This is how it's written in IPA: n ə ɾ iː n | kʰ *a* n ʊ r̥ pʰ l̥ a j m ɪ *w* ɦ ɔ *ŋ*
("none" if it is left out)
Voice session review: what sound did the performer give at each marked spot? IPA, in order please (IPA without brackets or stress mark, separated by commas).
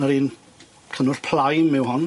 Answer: ə, w, n